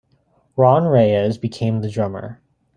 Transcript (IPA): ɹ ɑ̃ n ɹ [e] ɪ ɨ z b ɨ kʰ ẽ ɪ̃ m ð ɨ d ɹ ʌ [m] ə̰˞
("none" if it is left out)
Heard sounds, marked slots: e, m

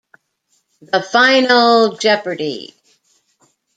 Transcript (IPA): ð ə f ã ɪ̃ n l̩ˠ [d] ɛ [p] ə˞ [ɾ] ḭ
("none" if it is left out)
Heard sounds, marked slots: d͡ʒ, p, ɾ

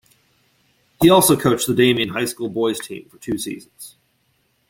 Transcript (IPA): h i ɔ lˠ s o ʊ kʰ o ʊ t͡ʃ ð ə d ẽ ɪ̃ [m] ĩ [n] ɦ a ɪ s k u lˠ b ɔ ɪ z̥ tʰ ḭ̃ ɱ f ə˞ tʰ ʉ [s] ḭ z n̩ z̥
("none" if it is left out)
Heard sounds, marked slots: m, n, s

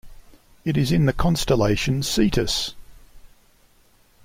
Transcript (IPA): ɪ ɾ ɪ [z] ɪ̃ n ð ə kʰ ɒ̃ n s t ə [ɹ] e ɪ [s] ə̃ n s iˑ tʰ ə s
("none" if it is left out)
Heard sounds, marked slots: z, l, ʃ

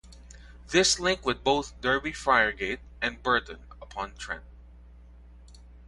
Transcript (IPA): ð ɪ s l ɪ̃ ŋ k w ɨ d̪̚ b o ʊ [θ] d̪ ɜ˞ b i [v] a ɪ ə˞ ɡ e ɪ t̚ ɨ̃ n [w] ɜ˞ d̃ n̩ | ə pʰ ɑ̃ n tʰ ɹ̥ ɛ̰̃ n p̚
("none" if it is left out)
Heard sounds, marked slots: θ, f, b

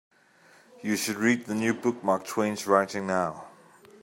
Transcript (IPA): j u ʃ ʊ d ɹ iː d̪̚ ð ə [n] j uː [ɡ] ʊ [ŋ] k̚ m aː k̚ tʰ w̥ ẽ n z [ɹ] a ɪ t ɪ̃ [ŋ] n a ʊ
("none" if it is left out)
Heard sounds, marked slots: n, b, none, ɹ, ŋ

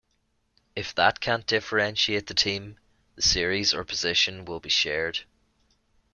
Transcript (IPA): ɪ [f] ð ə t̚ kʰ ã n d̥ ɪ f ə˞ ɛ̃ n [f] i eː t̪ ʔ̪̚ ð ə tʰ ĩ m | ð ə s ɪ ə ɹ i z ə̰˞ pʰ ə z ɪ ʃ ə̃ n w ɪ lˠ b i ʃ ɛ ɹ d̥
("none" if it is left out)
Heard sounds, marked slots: f, ʃ

